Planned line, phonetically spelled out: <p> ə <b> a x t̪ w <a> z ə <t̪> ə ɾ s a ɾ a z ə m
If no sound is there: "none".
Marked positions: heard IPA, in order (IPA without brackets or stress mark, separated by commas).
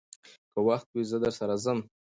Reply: k, w, i, d̪